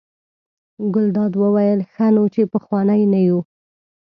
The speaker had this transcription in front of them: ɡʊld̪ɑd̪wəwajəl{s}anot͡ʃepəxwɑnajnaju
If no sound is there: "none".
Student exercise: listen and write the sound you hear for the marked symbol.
x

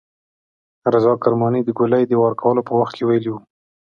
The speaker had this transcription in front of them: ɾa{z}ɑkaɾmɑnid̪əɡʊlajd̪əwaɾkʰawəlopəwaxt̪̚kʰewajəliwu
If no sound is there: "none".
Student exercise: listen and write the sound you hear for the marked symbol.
z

